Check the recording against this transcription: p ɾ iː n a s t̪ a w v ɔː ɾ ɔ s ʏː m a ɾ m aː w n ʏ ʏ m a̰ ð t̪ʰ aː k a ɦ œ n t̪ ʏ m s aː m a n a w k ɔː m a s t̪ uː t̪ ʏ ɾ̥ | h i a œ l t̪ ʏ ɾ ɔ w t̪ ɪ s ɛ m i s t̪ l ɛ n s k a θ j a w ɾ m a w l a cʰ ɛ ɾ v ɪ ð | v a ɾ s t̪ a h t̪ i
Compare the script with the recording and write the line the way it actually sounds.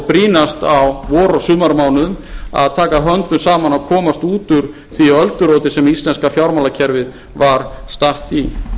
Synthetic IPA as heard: p ɾ iː n a s t̪ a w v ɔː ɾ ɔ s ʏː m a ɾ m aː w n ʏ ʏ m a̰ ð t̪ʰ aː k a ɦ œ n t̪ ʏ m s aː m a n a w kʰ ɔː m a s t̪ uː t̪ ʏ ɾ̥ | θ i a œ l t̪ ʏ ɾ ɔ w t̪ ɪ s ɛ m i s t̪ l ɛ n s k a f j a w ɾ m a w l a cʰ ɛ ɾ v ɪ ð | v a ɾ s t̪ a h t̪ i

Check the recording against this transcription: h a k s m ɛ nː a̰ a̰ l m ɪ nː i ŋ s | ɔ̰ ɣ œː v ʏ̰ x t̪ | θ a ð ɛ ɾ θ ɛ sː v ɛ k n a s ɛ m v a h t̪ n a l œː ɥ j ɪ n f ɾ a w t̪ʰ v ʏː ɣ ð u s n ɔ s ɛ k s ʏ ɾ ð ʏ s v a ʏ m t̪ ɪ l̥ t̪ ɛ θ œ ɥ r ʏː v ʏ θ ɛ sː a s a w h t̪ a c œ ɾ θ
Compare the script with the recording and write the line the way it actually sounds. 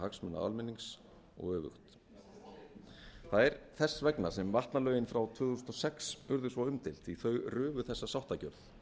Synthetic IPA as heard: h a k s m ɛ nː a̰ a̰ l m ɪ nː i ŋ s | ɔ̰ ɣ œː v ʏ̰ x t̪ | θ a ð ɛ ɾ θ ɛ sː v ɛ k n a s ɛ m v a h t̪ n a l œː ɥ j ɪ n f ɾ a w t̪ʰ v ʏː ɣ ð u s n ɔ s ɛ k s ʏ ɾ ð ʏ s v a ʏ m t̪ ɪ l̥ t̪ i θ œ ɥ r ʏː v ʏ θ ɛ sː a s a w h t̪ a c œ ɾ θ

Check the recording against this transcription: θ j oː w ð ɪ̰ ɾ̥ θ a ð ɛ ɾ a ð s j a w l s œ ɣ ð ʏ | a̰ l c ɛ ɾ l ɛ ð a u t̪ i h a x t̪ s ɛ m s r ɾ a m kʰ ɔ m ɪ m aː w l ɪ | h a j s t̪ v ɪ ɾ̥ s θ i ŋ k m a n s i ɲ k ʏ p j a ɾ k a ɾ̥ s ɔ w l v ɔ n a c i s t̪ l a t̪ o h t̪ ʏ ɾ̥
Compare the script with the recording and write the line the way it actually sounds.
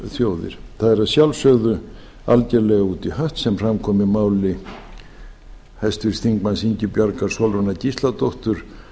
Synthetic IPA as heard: θ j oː w ð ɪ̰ ɾ̥ θ a ð ɛ ɾ a ð s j a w l s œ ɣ ð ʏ | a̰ l c ɛ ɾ l ɛ ɣ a u t̪ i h a h t̪ s ɛ m f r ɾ a m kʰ ɔ m ɪ m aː w l ɪ | h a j s t̪ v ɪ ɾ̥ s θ i ŋ k m a n s i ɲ c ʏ p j a ɾ k a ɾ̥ s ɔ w l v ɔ n a c i s t̪ l a t̪ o h t̪ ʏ ɾ̥

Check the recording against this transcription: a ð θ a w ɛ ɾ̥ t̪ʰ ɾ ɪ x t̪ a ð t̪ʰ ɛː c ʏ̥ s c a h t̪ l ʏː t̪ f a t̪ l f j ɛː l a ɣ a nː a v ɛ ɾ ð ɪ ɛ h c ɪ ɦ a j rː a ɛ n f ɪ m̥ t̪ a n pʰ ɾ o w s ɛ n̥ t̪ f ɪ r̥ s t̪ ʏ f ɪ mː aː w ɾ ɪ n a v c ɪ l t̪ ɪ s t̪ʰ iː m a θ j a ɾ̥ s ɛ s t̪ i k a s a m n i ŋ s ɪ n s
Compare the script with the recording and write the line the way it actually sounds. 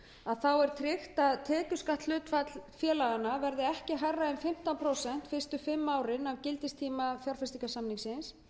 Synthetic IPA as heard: a ð θ a w ɛ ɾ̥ t̪ʰ ɾ ɪ x t̪ a ð t̪ʰ ɛː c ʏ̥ s k a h t̪ l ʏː t̪ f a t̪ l f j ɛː l a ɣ a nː a v ɛ ɾ ð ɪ ɛ h c ɪ ɦ a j rː a ɛ n f ɪ m̥ t̪ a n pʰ ɾ o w s ɛ n̥ t̪ f ɪ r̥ s t̪ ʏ f ɪ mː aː w ɾ ɪ n a v c ɪ l t̪ ɪ s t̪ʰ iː m a θ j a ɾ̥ f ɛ s t̪ i k a s a m n i ŋ s ɪ n s

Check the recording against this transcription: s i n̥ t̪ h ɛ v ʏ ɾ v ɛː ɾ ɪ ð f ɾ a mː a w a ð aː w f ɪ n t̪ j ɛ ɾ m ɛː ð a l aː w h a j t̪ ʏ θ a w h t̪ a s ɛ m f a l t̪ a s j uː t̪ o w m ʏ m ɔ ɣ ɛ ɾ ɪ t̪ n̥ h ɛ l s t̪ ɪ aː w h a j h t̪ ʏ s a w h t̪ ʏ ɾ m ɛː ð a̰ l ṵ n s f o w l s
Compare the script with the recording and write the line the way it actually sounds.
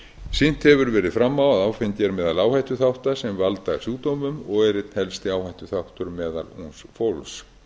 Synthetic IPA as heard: s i n̥ t̪ h ɛ v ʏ ɾ v ɛː ɾ ɪ ð f ɾ a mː a w a ð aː w f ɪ n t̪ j ɛ ɾ m ɛː ð a l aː w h a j t̪ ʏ θ a w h t̪ a s ɛ m v a l t̪ a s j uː t̪ o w m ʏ m ɔ ɣ ɛ ɾ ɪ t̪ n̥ h ɛ l s t̪ ɪ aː w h a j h t̪ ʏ θ a w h t̪ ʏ ɾ m ɛː ð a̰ l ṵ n s f o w l s

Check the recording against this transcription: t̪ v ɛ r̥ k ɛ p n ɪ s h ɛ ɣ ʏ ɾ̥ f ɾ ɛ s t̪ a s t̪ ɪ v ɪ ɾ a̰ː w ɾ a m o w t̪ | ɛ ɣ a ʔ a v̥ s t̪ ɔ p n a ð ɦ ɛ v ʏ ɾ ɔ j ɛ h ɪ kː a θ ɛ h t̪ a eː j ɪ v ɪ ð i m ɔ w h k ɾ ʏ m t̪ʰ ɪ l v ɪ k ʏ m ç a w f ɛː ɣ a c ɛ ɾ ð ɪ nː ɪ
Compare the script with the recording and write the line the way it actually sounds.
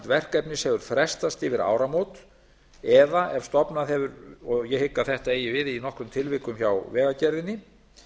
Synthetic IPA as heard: t̪ v ɛ r̥ k ɛ p n ɪ s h ɛ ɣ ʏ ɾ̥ f ɾ ɛ s t̪ a s t̪ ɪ v ɪ ɾ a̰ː w ɾ a m o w t̪ | ɛ ð a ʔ ɛ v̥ s t̪ ɔ p n a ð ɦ ɛ v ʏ ɾ ɔ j ɛ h ɪ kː a θ ɛ h t̪ a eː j ɪ v ɪ ð i n ɔ h k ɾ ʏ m t̪ʰ ɪ l v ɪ k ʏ m ç a w v ɛː ɣ a c ɛ ɾ ð ɪ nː ɪ

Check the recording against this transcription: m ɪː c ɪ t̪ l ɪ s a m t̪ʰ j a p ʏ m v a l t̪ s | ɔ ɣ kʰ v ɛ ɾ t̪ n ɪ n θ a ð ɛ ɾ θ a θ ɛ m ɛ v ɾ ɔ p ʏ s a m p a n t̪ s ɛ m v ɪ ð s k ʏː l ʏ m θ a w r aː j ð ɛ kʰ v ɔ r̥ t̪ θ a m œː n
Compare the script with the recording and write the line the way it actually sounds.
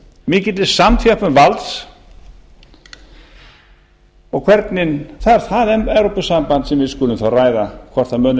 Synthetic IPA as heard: m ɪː c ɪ t̪ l ɪ s a m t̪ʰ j a p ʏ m v a l t̪ s | ɔ ɣ kʰ v ɛ ɾ t̪ n ɪ n θ a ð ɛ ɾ θ a ð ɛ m ɛ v ɾ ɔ p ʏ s a m p a n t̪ s ɛ m v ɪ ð s k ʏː l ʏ m θ a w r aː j ð a kʰ v ɔ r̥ t̪ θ a m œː n

